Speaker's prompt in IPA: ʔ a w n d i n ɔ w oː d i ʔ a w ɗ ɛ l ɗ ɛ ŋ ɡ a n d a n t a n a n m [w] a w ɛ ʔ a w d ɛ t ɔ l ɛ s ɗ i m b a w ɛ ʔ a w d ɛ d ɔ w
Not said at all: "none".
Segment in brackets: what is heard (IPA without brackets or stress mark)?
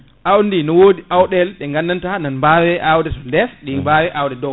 b